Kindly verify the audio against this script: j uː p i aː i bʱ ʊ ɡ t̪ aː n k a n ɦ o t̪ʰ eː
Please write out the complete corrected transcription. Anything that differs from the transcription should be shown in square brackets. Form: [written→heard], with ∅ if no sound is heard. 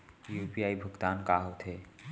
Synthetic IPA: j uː p i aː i bʱ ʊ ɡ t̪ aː n k a [n→∅] ɦ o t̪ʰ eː